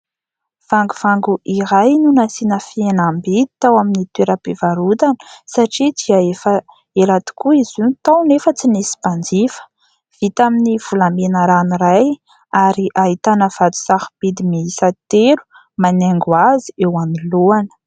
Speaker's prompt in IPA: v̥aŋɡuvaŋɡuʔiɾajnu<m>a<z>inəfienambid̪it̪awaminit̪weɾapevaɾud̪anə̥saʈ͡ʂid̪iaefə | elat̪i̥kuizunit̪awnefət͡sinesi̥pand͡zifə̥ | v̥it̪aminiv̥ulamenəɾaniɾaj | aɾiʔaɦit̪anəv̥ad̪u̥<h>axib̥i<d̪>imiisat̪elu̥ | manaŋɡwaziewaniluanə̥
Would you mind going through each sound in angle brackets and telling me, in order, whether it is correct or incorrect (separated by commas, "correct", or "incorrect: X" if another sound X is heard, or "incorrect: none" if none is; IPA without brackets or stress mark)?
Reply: incorrect: n, incorrect: s, incorrect: s, correct